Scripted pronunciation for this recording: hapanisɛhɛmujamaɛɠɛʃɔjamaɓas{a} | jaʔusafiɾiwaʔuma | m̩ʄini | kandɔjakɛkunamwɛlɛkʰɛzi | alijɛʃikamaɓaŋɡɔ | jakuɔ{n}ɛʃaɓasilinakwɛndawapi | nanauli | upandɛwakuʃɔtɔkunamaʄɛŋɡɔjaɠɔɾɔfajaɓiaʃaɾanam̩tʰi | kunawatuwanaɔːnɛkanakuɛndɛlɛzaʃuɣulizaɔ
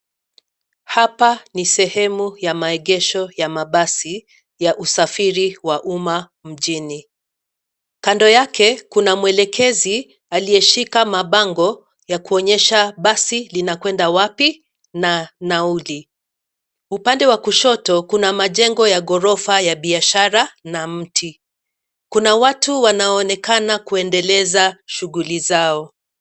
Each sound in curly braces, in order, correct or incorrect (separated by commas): incorrect, incorrect